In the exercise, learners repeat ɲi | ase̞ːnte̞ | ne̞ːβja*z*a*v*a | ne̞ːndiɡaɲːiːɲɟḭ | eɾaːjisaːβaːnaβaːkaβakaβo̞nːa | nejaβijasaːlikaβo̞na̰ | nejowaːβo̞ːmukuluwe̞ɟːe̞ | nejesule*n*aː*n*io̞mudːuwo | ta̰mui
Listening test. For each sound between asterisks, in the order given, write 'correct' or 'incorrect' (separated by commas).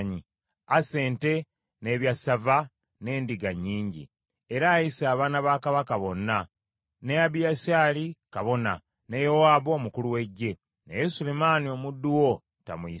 incorrect, correct, incorrect, correct